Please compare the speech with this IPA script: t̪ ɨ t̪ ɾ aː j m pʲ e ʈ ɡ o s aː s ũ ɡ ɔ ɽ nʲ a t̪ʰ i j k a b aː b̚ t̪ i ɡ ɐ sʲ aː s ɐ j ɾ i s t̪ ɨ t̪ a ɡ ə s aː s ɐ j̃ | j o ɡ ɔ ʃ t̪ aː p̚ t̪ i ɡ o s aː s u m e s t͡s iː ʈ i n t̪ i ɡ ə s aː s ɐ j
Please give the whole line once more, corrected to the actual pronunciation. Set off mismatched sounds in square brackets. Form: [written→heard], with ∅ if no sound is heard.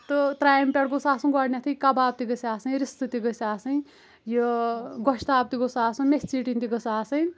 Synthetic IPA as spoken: t̪ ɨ t̪ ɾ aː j m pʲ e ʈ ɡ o s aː s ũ ɡ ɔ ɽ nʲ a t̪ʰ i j k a b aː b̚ t̪ i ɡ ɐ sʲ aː s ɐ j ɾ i s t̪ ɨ t̪ [a→i] ɡ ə s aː s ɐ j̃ | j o ɡ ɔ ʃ t̪ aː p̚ t̪ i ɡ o s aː s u m e s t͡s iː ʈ i n t̪ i ɡ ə s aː s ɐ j